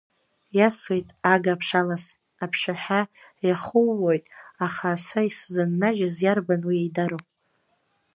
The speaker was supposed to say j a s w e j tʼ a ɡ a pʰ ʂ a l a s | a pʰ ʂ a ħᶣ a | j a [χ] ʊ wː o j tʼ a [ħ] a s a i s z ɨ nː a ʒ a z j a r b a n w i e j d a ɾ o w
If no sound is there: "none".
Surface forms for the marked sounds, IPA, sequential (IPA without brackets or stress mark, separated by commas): χ, χ